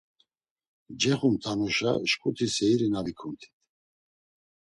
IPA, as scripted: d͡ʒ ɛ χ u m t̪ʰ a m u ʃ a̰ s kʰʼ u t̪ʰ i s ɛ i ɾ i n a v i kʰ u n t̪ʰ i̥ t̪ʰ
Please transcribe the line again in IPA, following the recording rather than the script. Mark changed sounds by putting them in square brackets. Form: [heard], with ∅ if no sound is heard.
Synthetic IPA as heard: d͡ʒ ɛ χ u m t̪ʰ a [n] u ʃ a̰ [ʃ] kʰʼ u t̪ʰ i s ɛ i ɾ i n a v i kʰ u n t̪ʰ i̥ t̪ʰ